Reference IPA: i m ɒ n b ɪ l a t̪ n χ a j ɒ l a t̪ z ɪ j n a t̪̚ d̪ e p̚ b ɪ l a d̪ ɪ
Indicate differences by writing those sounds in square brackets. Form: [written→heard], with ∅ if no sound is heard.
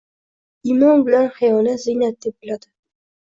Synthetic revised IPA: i m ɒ n b ɪ l a [t̪→∅] n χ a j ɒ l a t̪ z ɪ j n a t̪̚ d̪ e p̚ b ɪ l a d̪ ɪ

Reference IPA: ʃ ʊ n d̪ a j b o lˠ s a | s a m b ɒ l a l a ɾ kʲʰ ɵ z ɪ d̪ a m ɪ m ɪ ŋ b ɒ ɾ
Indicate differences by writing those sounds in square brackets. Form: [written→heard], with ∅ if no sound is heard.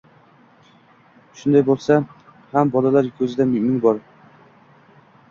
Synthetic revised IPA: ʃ ʊ n d̪ a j b o lˠ s a | [s→h] a m b ɒ l a l a ɾ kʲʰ ɵ z ɪ d̪ a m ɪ m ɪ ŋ b ɒ ɾ

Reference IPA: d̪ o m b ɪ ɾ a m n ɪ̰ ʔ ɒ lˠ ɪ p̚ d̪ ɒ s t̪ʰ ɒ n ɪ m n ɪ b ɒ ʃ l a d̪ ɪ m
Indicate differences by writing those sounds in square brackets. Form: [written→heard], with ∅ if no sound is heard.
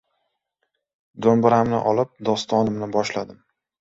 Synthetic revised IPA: d̪ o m b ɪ ɾ a m n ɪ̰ ʔ ɒ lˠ ɪ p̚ d̪ ɒ s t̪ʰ ɒ n ɪ m n ɪ b ɒ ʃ l a d̪ ɪ m

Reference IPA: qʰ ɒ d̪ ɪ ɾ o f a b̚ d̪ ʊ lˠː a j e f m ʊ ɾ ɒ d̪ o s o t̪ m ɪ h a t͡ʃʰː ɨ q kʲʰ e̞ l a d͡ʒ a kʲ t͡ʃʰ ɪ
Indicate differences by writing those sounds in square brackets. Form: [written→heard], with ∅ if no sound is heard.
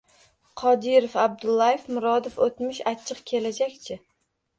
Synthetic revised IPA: qʰ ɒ d̪ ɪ ɾ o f a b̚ d̪ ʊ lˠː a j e f m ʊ ɾ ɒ d̪ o [s→f] o t̪ m ɪ [h→ʃ] a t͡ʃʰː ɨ q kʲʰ e̞ l a d͡ʒ a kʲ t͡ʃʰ ɪ

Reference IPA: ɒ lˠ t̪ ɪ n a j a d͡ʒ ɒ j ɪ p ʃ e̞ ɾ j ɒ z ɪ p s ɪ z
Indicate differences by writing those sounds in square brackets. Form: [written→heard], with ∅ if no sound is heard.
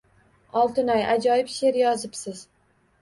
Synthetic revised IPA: ɒ lˠ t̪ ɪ n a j a d͡ʒ ɒ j ɪ p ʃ e̞ ɾ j ɒ z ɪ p s ɪ z

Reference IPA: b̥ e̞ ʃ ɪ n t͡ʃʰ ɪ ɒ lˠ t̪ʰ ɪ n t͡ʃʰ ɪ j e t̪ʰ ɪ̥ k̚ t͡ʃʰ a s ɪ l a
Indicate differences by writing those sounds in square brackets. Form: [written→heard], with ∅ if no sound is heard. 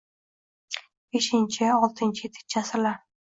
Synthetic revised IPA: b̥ e̞ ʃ ɪ n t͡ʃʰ ɪ ɒ lˠ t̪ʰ ɪ n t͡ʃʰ ɪ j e t̪ʰ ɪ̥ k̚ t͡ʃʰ a s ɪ l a

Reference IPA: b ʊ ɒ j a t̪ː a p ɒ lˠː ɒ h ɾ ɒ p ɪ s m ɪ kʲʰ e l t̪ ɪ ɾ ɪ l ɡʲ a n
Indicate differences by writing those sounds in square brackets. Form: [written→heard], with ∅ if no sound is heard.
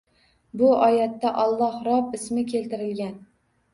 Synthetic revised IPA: b ʊ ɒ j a t̪ː a [p→ʔ] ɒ lˠː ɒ h ɾ ɒ p ɪ s m ɪ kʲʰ e l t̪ ɪ ɾ ɪ l ɡʲ a n

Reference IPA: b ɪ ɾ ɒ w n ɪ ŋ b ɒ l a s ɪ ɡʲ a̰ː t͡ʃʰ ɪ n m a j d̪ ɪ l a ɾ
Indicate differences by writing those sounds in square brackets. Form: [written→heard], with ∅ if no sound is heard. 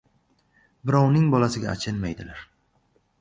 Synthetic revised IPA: b ɪ ɾ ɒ w n ɪ ŋ b ɒ l a s ɪ ɡʲ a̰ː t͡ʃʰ ɪ n m a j d̪ ɪ l a ɾ

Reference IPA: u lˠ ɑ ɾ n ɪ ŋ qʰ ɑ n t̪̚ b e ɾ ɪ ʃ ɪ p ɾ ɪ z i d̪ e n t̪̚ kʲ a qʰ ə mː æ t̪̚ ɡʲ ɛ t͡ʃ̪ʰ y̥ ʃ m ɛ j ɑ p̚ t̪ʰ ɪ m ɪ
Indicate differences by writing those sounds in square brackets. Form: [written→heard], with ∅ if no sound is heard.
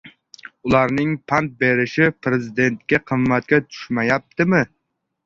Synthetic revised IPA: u lˠ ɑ ɾ n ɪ ŋ [qʰ→pʰ] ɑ n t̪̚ b e ɾ ɪ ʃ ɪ p ɾ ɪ z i d̪ e n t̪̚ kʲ [a→ɛ] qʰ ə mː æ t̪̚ [ɡʲ→kʲ] ɛ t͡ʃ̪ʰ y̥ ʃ m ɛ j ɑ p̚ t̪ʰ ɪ m ɪ

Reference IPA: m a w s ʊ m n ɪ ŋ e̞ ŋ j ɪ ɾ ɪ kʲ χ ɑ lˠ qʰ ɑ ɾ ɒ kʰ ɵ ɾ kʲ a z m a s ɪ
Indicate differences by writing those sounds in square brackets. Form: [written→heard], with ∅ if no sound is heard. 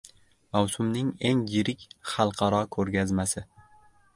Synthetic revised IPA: m a w s ʊ m n ɪ ŋ e̞ ŋ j ɪ ɾ ɪ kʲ χ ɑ lˠ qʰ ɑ ɾ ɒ kʰ ɵ ɾ [kʲ→ɡʲ] a z m a s ɪ

